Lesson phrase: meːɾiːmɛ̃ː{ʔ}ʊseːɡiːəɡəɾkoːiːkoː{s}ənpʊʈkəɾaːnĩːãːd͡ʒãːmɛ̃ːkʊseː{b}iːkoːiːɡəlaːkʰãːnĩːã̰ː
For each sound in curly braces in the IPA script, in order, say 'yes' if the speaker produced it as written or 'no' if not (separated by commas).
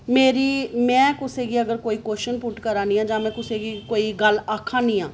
no, no, no